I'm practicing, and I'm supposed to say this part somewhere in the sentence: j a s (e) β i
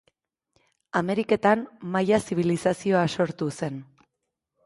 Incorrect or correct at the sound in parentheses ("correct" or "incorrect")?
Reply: incorrect